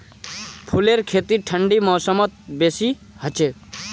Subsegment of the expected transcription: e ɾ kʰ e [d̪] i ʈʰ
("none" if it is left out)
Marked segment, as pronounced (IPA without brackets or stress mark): t̪